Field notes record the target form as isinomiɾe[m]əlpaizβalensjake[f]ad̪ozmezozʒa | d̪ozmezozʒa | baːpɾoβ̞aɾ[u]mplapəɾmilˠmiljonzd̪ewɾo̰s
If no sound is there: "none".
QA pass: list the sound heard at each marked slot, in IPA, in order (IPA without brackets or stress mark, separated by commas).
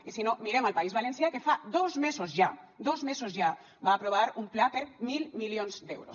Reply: m, f, u